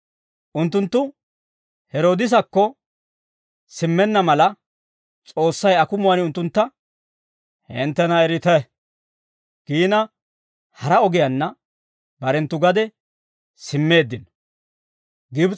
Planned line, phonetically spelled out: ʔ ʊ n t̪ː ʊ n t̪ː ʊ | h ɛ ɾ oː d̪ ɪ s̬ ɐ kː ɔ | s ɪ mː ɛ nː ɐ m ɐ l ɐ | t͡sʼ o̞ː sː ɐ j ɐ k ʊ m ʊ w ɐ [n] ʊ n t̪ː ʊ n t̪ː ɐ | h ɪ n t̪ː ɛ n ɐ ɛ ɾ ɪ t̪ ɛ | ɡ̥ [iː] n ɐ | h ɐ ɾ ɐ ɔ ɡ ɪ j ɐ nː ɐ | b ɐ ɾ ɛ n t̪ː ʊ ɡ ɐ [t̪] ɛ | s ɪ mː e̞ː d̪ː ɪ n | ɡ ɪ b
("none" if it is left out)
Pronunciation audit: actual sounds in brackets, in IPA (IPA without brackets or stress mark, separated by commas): n, iː, d̪